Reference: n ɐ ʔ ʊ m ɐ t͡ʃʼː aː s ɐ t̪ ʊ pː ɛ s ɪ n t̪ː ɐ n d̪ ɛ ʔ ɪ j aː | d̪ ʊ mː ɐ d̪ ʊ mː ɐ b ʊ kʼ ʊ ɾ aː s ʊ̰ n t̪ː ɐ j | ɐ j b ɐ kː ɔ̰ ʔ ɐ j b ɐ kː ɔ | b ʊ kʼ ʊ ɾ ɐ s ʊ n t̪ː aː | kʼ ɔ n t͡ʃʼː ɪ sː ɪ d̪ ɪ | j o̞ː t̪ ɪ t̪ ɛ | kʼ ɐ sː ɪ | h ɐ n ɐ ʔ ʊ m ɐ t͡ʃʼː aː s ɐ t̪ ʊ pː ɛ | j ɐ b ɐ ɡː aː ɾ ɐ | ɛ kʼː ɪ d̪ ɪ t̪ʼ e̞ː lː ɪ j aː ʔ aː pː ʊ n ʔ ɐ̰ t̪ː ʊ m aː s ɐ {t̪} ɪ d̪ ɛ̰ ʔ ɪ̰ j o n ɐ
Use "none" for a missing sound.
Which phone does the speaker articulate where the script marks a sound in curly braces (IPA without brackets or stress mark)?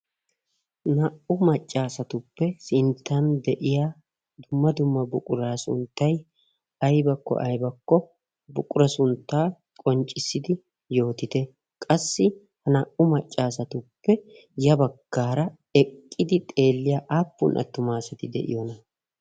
t̪